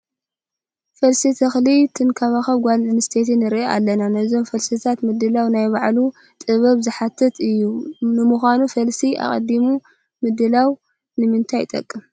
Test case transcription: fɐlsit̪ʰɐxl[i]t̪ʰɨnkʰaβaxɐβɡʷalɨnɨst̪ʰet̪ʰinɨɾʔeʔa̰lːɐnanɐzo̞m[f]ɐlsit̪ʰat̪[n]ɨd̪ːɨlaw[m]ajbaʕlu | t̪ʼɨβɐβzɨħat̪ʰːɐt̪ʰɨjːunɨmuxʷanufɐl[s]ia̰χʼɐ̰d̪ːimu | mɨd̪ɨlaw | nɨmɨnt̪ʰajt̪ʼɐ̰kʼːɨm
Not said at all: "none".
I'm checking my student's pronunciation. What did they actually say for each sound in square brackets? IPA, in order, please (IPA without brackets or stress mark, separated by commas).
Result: i, f, m, n, s